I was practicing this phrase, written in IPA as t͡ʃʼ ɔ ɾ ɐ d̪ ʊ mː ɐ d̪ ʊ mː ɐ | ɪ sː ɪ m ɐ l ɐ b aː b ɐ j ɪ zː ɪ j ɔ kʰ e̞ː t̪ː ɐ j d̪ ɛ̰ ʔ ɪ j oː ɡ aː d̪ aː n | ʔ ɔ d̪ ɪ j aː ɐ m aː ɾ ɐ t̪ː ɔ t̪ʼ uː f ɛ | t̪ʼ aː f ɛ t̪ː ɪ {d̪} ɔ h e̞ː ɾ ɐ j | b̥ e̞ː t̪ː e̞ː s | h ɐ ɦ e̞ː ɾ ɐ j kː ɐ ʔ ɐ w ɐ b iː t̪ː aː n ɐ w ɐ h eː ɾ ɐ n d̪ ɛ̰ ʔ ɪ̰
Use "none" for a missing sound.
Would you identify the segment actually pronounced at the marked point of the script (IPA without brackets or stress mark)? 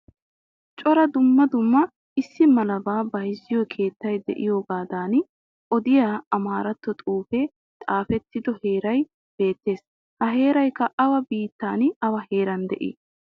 d̪